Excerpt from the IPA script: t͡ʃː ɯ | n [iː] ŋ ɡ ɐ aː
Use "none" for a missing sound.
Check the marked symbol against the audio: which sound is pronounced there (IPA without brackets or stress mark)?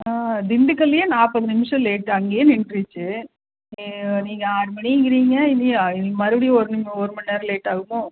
iː